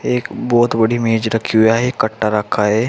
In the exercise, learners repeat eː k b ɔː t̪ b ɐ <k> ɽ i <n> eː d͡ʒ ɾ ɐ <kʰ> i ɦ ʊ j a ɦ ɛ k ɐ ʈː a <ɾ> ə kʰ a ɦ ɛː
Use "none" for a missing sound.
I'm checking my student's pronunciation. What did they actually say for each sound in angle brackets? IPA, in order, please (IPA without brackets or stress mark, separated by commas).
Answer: none, m, kʰ, ɾ